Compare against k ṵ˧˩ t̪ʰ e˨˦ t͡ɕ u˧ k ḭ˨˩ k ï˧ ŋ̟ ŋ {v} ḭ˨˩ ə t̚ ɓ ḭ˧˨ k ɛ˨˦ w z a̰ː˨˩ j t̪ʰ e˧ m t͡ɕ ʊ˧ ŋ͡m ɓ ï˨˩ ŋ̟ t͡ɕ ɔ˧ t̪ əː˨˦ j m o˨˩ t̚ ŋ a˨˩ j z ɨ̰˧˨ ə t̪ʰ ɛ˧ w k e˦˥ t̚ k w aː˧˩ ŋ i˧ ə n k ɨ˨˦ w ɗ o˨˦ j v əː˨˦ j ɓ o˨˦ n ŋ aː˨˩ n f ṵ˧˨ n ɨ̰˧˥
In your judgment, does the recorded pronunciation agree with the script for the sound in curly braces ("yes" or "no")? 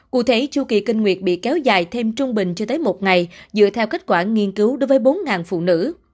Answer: no